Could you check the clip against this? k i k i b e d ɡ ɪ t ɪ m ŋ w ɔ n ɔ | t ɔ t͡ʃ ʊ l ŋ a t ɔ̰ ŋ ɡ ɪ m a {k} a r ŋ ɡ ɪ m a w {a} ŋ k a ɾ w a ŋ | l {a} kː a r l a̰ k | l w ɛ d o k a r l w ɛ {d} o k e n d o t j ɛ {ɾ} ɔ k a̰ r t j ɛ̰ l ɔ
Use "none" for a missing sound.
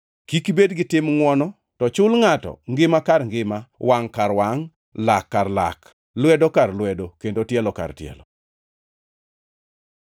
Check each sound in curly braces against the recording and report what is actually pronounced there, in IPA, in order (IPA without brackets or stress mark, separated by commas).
k, a, a, d, l